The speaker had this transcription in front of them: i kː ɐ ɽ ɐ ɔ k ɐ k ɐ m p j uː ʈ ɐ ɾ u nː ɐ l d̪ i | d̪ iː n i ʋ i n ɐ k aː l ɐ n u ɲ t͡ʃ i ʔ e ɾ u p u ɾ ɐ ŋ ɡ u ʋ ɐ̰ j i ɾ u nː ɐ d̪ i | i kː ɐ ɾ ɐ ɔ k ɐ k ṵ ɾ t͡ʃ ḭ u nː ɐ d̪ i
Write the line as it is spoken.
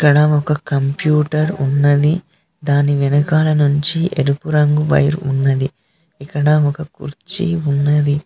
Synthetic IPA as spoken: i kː ɐ ɽ ɐ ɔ k ɐ k ɐ m p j uː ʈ ɐ ɾ u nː ɐ d̪ i | d̪ aː n i ʋ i n ɐ k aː l ɐ n u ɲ t͡ʃ i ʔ e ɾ u p u ɾ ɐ ŋ ɡ u ʋ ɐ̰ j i ɾ u nː ɐ d̪ i | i kː ɐ ɽ ɐ ɔ k ɐ k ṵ ɾ t͡ʃ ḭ u nː ɐ d̪ i